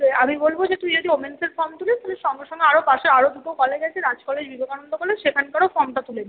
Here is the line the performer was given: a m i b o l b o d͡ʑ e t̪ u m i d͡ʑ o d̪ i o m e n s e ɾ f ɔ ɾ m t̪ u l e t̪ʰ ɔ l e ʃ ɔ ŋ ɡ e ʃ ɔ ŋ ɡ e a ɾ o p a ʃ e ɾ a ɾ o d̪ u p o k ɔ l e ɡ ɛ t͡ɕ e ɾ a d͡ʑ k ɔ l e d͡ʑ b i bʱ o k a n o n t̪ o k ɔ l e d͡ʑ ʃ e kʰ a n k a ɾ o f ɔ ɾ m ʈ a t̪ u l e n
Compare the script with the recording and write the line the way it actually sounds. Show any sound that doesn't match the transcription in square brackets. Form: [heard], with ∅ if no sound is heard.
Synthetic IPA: a m i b o l b o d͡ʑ e t̪ u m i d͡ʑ o d̪ i o m e n s e ɾ f ɔ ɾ m t̪ u l e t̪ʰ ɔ l e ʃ ɔ ŋ ɡ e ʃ ɔ ŋ ɡ e a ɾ o p a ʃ e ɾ a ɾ o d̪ u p o k ɔ l e ɡ ɛ [t͡ɕʰ] e ɾ a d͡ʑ k ɔ l e d͡ʑ b i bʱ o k a n o n [d̪] o k ɔ l e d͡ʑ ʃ e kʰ a n k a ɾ o f ɔ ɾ m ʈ a t̪ u l e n